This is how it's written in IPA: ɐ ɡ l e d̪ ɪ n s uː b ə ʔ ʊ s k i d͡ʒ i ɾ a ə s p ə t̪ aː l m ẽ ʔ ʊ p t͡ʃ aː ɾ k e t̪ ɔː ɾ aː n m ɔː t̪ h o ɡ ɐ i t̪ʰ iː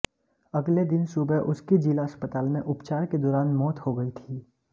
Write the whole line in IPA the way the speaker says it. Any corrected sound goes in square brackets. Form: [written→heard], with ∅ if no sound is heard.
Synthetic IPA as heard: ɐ ɡ l e d̪ ɪ n s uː b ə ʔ ʊ s k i d͡ʒ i [ɾ→l] a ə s p ə t̪ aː l m ẽ ʔ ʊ p t͡ʃ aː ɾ k e [t̪→d̪] ɔː ɾ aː n m ɔː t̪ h o ɡ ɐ i t̪ʰ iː